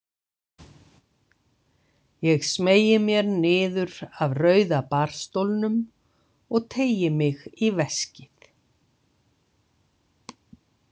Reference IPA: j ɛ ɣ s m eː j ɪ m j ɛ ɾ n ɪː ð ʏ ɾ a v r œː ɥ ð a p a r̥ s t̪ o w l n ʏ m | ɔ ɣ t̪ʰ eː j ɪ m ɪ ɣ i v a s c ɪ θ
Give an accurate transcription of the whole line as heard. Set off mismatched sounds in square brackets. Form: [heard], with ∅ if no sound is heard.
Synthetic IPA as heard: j ɛ ɣ s m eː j ɪ m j ɛ ɾ n ɪː ð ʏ ɾ a v r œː ɥ ð a p a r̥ s t̪ o w l n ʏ m | ɔ ɣ t̪ʰ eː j ɪ m ɪ ɣ i v [ɛ] s c ɪ θ